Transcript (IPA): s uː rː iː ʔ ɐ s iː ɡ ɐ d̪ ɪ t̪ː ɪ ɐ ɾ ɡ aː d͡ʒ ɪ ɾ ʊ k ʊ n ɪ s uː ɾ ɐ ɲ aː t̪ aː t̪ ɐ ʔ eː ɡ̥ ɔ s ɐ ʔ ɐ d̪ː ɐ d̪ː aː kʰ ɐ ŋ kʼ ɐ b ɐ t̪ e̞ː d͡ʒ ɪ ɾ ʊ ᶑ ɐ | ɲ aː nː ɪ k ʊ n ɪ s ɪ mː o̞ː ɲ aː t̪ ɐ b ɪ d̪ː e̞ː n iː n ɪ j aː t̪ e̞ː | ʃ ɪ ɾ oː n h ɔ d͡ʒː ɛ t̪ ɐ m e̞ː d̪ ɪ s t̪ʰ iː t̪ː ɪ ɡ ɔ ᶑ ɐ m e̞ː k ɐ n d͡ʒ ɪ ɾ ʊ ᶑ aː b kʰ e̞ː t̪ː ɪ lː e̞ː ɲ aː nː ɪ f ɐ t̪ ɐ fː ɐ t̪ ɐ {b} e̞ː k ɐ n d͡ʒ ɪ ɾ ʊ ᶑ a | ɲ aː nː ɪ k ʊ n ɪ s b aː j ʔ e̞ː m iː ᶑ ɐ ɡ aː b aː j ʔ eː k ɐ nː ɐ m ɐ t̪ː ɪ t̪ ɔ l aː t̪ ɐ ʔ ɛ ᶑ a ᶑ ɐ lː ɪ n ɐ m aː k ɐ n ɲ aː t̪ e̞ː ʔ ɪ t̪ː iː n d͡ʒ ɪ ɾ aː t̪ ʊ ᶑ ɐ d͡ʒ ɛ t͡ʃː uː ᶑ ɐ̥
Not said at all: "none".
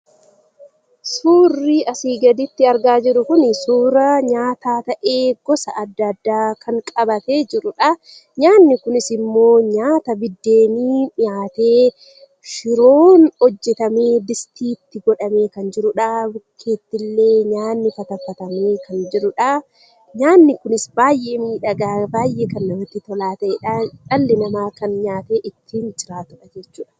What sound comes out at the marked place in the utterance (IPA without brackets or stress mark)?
m